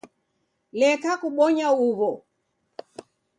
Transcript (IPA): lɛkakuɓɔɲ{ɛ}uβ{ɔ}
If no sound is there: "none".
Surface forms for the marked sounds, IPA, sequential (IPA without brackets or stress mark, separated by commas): a, ɔ